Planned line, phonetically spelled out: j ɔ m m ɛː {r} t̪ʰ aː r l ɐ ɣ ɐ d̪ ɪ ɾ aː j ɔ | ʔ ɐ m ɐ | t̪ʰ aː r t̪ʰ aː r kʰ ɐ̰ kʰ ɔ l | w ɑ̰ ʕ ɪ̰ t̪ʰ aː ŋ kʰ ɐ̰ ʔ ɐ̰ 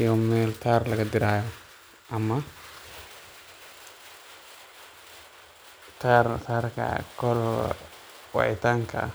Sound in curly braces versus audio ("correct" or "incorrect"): incorrect